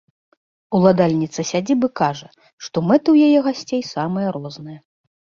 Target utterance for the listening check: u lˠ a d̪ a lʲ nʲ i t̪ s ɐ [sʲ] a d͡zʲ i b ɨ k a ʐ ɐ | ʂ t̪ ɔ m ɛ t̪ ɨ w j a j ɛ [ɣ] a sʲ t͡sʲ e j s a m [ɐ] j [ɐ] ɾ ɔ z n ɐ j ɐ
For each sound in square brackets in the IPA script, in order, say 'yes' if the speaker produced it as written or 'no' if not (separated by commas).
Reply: yes, yes, yes, yes